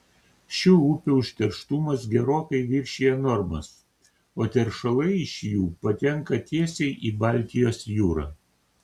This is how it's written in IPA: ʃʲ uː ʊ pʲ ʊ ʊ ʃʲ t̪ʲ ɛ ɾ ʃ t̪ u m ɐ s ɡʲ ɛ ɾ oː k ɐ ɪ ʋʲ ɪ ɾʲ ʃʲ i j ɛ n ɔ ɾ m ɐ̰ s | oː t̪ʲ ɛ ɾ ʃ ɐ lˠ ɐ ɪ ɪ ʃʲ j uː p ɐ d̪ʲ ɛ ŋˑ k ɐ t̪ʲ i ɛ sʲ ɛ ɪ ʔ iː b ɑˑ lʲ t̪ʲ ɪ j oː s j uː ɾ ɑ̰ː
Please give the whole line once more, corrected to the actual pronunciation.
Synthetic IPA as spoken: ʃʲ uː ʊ pʲ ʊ ʊ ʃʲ t̪ʲ ɛ ɾ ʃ t̪ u m ɐ s ɡʲ ɛ ɾ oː k ɐ ɪ ʋʲ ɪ ɾʲ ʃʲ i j ɛ n ɔ ɾ m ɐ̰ s | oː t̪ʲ ɛ ɾ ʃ ɐ lˠ ɐ ɪ ɪ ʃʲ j uː p ɐ t̪ʲ ɛ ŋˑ k ɐ t̪ʲ i ɛ sʲ ɛ ɪ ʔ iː b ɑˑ lʲ t̪ʲ ɪ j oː s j uː ɾ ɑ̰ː

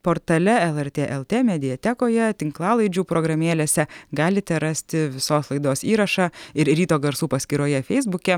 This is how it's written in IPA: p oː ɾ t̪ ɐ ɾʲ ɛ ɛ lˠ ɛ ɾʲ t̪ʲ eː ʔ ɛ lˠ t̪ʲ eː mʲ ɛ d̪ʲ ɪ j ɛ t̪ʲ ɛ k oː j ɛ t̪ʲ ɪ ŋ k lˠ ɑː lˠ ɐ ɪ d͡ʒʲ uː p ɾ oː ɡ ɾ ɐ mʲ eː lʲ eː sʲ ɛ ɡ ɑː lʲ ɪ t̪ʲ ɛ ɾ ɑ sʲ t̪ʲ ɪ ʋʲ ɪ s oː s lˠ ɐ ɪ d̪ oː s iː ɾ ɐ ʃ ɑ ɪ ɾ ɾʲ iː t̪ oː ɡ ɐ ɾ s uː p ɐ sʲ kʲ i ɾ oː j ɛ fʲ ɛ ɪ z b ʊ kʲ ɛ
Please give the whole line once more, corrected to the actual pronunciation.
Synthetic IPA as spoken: p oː ɾ t̪ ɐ lʲ ɛ ɛ lˠ ɛ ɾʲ t̪ʲ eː ʔ ɛ lˠ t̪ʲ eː mʲ ɛ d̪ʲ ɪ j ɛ t̪ʲ ɛ k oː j ɛ t̪ʲ ɪ ŋ k lˠ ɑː lˠ ɐ ɪ d͡ʒʲ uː p ɾ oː ɡ ɾ ɐ mʲ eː lʲ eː sʲ ɛ ɡ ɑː lʲ ɪ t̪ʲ ɛ ɾ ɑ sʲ t̪ʲ ɪ ʋʲ ɪ s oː s lˠ ɐ ɪ d̪ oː s iː ɾ ɐ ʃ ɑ ɪ ɾ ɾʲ iː t̪ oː ɡ ɐ ɾ s uː p ɐ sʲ kʲ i ɾ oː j ɛ fʲ ɛ ɪ z b ʊ kʲ ɛ

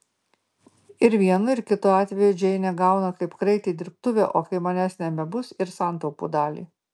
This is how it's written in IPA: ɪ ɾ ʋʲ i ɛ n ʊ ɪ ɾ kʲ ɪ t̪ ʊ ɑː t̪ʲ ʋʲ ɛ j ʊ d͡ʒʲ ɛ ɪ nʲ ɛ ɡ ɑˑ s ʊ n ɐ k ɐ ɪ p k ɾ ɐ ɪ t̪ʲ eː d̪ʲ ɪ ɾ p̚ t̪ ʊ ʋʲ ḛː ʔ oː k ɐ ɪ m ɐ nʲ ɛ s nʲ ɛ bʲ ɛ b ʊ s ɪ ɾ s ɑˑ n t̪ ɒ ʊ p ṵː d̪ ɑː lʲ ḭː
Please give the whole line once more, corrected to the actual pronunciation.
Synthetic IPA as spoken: ɪ ɾ ʋʲ i ɛ n ʊ ɪ ɾ kʲ ɪ t̪ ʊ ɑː t̪ʲ ʋʲ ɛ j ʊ d͡ʒʲ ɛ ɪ nʲ ɛ ɡ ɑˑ ʊ n ɐ k ɐ ɪ p k ɾ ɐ ɪ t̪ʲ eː d̪ʲ ɪ ɾ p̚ t̪ ʊ ʋʲ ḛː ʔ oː k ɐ ɪ m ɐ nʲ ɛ s nʲ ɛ bʲ ɛ b ʊ s ɪ ɾ s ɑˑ n t̪ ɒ ʊ p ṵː d̪ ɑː lʲ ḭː

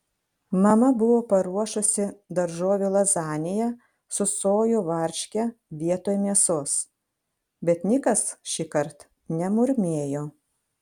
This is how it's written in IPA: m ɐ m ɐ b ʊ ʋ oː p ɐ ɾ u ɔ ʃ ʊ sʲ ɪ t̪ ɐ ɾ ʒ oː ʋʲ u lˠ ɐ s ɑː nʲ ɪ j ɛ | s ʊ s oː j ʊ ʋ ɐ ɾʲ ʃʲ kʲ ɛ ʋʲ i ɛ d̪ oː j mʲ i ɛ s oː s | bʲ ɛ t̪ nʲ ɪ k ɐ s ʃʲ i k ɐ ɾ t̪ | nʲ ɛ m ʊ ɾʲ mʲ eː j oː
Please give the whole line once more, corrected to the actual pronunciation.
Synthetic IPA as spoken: m ɐ m ɐ b ʊ ʋ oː p ɐ ɾ u ɔ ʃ ʊ sʲ ɪ d̪ ɐ ɾ ʒ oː ʋʲ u lˠ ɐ z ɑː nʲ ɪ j ɛ | s ʊ s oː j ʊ ʋ ɐ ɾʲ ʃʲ kʲ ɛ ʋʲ i ɛ t̪ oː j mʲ i ɛ s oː s | bʲ ɛ t̪ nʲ ɪ k ɐ s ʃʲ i k ɐ ɾ t̪ | nʲ ɛ m ʊ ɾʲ mʲ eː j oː

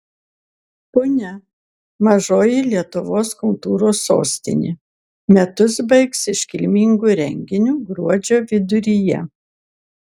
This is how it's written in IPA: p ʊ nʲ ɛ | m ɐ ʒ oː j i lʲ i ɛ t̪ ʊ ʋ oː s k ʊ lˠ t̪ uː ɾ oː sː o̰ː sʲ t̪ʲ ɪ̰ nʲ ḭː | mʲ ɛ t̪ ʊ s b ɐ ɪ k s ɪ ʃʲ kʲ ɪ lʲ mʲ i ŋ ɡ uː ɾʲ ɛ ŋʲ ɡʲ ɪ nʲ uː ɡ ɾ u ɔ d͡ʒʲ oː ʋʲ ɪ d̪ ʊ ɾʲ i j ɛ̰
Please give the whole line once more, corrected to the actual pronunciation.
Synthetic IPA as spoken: p ʊ nʲ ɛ | m ɐ ʒ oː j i lʲ i ɛ t̪ ʊ ʋ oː s k ʊ lˠ t̪ uː ɾ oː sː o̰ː sʲ t̪ʲ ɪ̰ nʲ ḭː | mʲ ɛ t̪ ʊ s b ɐ ɪ k s ɪ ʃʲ kʲ ɪ lʲ mʲ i ŋ ɡ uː ɾʲ ɛ ŋʲ ɡʲ ɪ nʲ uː ɡ ɾ u ɔ d͡ʒʲ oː ʋʲ ɪ d̪ ʊ ɾʲ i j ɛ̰

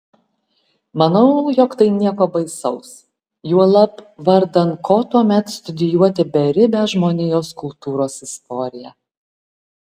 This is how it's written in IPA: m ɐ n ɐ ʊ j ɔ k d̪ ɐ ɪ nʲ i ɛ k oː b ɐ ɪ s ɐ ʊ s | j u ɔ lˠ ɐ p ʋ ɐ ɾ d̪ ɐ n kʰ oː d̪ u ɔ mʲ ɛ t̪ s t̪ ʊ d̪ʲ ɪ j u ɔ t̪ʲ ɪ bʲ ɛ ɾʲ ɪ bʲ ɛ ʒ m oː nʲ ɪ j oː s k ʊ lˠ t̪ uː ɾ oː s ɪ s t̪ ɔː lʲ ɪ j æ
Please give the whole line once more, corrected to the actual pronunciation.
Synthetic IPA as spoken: m ɐ n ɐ ʊ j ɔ k t̪ ɐ ɪ nʲ i ɛ k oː b ɐ ɪ s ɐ ʊ s | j u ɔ lˠ ɐ p ʋ ɐ ɾ d̪ ɐ n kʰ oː t̪ u ɔ mʲ ɛ t̪ s t̪ ʊ d̪ʲ ɪ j u ɔ t̪ʲ ɪ bʲ ɛ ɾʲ ɪ bʲ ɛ ʒ m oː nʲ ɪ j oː s k ʊ lˠ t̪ uː ɾ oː s ɪ s t̪ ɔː ɾʲ ɪ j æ

